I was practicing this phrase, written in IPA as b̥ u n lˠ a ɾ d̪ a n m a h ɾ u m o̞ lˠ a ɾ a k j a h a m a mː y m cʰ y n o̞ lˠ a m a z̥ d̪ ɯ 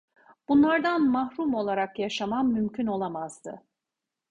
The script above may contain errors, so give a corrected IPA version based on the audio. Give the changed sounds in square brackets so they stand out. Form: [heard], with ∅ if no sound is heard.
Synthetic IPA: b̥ u n lˠ a ɾ d̪ a n m a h ɾ u m o̞ lˠ a ɾ a k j a [ʃ] a m a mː y m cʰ y n o̞ lˠ a m a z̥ d̪ ɯ